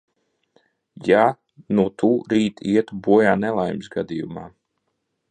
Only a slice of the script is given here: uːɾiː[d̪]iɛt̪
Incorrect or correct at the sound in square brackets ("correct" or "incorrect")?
incorrect